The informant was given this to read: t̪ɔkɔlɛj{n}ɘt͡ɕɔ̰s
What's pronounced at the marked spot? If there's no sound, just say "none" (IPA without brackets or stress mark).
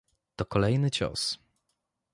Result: n